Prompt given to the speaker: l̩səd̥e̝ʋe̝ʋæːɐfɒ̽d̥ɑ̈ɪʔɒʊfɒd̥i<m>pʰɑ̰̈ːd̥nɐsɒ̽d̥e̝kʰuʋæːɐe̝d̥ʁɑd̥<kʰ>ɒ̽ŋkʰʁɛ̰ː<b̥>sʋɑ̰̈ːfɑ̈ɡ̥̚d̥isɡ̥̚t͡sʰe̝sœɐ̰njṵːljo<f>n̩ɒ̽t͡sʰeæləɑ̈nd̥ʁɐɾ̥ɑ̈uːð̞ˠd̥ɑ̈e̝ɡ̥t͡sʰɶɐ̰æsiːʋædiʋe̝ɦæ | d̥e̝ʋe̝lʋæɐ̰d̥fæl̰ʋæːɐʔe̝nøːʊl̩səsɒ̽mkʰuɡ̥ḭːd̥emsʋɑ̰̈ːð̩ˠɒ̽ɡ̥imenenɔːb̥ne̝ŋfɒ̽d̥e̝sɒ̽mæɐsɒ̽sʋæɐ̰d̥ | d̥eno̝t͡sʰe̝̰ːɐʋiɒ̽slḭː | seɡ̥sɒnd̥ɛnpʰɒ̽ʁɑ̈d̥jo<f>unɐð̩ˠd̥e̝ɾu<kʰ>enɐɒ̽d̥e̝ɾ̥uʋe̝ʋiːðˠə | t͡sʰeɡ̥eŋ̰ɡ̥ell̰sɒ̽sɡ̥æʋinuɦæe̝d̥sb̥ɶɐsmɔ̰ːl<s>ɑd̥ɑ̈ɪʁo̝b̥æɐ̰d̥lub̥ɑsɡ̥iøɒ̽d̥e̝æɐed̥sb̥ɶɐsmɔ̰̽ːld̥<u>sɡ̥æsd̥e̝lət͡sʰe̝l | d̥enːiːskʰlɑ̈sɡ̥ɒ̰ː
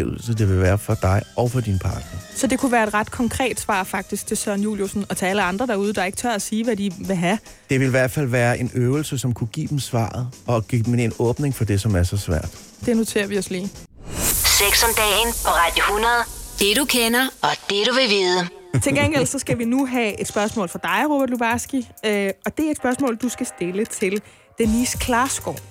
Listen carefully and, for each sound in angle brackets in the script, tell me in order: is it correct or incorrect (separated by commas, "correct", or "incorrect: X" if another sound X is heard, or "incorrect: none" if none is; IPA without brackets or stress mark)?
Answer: incorrect: n, correct, incorrect: d̥, incorrect: s, incorrect: h, correct, incorrect: f, correct